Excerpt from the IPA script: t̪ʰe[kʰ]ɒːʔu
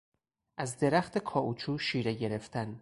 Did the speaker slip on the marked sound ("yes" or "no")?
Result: no